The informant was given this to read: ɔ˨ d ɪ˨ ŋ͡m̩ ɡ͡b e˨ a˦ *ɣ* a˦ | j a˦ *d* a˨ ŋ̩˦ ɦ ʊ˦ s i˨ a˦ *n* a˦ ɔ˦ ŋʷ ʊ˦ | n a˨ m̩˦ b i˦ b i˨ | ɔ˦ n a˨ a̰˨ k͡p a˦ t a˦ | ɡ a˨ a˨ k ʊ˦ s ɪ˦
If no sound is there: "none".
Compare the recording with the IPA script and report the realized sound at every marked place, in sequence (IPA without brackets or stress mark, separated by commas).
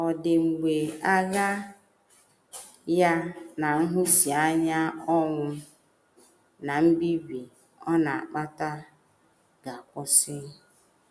ɣ, n, ɲ